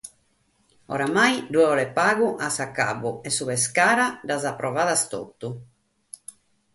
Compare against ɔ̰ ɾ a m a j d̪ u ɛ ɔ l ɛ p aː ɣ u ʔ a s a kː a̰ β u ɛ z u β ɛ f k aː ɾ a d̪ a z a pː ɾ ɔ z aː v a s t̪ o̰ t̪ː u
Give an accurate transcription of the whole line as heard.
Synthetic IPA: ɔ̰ ɾ a m a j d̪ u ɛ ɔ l ɛ p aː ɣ u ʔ a s a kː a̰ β u ɛ s u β ɛ s k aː ɾ a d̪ a z a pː ɾ ɔ v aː ð a s t̪ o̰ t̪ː u